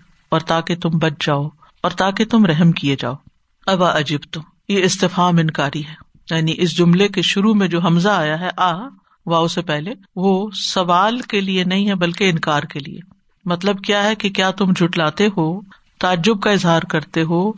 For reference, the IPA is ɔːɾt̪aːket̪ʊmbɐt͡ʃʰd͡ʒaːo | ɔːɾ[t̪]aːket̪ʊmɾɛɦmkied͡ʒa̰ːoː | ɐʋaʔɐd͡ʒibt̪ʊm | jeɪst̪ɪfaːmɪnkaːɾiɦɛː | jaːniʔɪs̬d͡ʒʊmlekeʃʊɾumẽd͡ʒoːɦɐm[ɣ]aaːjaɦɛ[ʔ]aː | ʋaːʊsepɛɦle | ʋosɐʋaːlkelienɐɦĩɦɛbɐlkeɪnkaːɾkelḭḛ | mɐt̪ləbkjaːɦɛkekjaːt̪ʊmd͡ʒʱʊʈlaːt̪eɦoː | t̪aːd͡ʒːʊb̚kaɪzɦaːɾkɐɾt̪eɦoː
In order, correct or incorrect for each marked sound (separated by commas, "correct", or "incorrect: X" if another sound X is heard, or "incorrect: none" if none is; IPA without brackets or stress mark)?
correct, incorrect: z, correct